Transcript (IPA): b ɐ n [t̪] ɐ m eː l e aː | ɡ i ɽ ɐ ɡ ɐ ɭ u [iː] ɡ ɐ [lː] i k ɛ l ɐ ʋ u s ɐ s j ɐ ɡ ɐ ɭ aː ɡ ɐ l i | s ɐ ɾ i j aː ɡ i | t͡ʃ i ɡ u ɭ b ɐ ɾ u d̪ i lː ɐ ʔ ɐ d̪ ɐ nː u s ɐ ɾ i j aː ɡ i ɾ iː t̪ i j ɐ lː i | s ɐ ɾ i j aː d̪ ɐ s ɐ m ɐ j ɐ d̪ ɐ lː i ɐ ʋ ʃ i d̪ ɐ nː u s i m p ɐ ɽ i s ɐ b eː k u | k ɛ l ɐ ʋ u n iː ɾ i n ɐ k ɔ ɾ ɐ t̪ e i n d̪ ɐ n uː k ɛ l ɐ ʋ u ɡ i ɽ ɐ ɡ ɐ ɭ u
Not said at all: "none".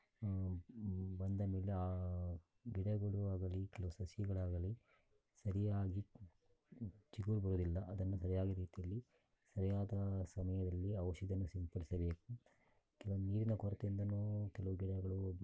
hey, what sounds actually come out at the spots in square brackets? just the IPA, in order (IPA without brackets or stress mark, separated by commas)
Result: d̪, aː, l